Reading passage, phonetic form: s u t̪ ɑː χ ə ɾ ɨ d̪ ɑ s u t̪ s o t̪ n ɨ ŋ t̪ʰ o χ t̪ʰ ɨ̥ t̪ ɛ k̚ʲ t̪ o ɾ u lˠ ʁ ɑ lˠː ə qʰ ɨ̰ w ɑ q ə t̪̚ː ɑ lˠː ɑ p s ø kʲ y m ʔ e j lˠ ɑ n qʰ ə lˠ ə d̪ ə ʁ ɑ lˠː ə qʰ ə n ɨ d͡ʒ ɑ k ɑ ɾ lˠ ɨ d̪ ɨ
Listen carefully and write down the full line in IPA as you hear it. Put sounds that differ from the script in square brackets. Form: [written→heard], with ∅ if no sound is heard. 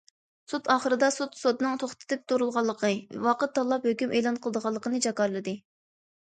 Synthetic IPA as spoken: s u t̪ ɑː χ ə ɾ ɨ d̪ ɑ s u t̪ s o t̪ n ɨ ŋ t̪ʰ o χ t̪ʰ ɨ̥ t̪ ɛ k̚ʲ t̪ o ɾ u lˠ ʁ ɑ lˠː ə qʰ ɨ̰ w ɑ q ə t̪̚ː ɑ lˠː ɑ p [s→h] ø kʲ y m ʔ e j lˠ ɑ n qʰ ə lˠ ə d̪ ə ʁ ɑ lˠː ə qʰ ə n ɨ d͡ʒ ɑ k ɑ ɾ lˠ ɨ d̪ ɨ

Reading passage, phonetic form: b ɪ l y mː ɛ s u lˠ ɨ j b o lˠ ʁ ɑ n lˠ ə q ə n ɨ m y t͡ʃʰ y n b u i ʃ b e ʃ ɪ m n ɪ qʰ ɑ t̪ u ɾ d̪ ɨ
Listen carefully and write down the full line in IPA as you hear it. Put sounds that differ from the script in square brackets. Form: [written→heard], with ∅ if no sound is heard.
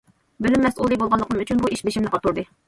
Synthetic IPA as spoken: b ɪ l y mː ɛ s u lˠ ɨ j b o lˠ ʁ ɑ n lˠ ə q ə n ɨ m y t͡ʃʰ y n b u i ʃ b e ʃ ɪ m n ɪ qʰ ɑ t̪ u ɾ d̪ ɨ

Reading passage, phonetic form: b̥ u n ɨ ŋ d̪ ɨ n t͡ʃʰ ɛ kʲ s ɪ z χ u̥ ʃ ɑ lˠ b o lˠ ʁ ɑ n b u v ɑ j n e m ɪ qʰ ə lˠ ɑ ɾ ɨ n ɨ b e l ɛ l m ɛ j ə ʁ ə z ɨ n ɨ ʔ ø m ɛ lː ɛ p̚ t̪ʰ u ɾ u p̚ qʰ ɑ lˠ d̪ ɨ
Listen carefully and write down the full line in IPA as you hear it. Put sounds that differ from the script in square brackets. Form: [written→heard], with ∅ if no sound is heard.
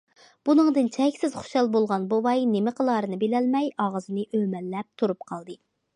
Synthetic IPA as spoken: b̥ u n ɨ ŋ d̪ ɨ n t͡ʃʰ ɛ kʲ s ɪ z χ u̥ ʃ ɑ lˠ b o lˠ ʁ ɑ n b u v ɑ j n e m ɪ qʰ ə lˠ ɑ ɾ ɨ n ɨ b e l ɛ l m ɛ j [ə→ɑ] ʁ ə z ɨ n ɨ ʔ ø m ɛ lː ɛ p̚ t̪ʰ u ɾ u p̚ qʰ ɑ lˠ d̪ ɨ

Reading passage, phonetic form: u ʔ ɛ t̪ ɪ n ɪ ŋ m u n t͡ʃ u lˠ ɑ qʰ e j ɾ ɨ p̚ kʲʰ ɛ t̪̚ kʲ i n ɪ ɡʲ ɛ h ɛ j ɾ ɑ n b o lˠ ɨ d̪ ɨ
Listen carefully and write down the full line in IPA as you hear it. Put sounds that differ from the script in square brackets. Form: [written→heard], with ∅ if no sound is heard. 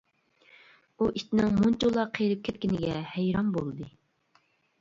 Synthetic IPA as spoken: u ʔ [ɛ→i] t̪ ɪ n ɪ ŋ m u n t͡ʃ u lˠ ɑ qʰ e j ɾ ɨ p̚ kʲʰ ɛ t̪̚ kʲ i n ɪ ɡʲ ɛ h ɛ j ɾ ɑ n b o lˠ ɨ d̪ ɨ

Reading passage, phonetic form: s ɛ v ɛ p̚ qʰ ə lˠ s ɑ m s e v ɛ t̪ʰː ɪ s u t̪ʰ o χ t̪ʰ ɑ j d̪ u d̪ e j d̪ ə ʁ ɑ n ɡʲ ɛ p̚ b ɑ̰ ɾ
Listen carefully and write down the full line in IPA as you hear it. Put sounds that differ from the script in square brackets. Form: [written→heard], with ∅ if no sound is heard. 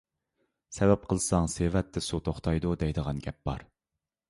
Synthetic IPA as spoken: s ɛ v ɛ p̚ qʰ ə lˠ s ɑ [m→ŋ] s e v ɛ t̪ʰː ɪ s u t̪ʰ o χ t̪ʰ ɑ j d̪ u d̪ [e→ɛ] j d̪ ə ʁ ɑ n ɡʲ ɛ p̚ b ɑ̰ ɾ

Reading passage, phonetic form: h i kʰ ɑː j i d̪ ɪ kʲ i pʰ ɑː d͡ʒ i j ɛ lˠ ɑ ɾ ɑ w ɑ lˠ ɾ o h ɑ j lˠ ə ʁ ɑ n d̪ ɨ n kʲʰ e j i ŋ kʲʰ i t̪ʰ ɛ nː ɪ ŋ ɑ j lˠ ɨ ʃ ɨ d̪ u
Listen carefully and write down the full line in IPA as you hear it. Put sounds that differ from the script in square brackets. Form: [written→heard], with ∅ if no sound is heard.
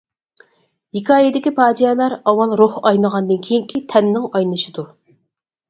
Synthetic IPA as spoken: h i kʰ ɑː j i d̪ ɪ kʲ i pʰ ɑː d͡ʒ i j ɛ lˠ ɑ ɾ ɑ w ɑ lˠ ɾ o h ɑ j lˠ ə ʁ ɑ n d̪ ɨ n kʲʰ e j i ŋ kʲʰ i t̪ʰ ɛ nː ɪ ŋ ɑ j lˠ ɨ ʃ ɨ d̪ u

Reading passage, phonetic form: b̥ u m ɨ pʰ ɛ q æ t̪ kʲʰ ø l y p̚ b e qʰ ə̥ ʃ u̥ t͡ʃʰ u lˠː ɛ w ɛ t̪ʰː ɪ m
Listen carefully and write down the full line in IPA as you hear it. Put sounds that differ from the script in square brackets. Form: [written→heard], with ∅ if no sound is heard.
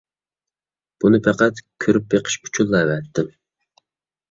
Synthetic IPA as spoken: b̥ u [m→n] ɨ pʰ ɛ q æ t̪ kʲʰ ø [l→ɾ] y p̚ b e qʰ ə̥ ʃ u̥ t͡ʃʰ u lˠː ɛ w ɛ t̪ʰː ɪ m

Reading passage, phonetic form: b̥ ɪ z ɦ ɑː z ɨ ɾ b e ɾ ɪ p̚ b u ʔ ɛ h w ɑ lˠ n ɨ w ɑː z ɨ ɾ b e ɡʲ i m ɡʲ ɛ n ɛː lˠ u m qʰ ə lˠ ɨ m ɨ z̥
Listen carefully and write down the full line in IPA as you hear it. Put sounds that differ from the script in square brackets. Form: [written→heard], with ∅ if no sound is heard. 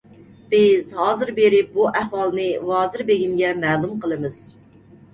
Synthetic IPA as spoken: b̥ ɪ z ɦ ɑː z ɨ ɾ b e ɾ ɪ p̚ b u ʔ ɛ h w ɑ lˠ n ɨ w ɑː z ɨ ɾ b e ɡʲ i m ɡʲ ɛ [n→m] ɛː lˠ u m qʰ ə lˠ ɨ m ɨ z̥

